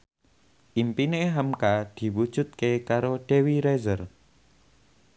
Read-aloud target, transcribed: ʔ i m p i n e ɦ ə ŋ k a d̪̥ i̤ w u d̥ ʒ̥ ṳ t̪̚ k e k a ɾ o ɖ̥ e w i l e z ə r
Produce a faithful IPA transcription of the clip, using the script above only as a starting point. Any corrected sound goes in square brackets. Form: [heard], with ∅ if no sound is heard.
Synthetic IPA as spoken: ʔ i m p i n e ɦ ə [m] k a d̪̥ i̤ w u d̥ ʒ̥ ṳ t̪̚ k e k a ɾ o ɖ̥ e w i [ɾ] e z ə r